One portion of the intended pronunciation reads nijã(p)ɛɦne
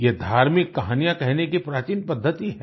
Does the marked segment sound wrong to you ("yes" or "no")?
yes